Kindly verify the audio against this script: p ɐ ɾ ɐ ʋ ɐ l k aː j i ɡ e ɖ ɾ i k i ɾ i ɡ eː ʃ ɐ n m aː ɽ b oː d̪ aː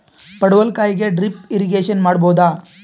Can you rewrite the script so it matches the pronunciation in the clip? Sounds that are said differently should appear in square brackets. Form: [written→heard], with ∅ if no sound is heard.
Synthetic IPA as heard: p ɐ [ɾ→ɽ] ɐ ʋ ɐ l k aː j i ɡ e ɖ ɾ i [k→p] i ɾ i ɡ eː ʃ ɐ n m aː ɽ b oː d̪ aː